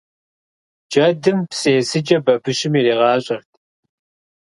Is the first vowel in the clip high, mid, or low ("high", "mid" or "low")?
low